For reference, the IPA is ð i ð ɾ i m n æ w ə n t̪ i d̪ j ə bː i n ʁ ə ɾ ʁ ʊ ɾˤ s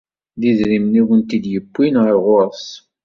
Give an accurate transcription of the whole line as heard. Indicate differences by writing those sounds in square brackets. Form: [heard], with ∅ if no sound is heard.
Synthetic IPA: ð i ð ɾ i m n [i] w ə n t̪ i d̪ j ə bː i n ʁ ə ɾ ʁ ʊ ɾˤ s